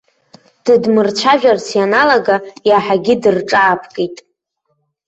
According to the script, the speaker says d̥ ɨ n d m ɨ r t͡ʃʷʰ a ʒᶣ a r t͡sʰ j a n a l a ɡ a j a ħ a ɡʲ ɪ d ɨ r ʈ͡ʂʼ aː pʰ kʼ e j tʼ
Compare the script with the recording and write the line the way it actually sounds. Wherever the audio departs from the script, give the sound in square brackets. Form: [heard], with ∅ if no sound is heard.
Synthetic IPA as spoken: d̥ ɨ [∅] d m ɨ r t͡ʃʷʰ a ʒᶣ a r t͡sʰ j a n a l a ɡ a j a ħ a ɡʲ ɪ d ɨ r ʈ͡ʂʼ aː pʰ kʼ e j tʼ